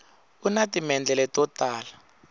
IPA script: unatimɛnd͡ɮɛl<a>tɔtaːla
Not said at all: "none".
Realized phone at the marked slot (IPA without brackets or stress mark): ɛ